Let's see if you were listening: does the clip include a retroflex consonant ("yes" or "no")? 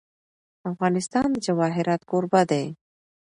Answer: no